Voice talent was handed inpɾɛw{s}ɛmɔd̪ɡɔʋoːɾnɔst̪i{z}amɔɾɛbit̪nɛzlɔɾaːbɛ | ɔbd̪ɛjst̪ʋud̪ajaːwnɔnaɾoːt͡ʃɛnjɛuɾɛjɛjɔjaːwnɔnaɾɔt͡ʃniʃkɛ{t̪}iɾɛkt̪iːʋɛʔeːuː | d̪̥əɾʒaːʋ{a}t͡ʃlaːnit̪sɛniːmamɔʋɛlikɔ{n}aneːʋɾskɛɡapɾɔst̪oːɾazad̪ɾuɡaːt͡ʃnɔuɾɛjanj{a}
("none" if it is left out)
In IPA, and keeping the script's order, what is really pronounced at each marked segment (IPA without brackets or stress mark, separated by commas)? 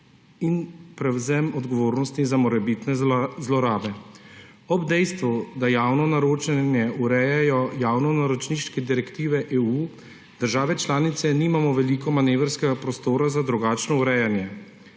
z, z, d̪, ɛ, m, ɛ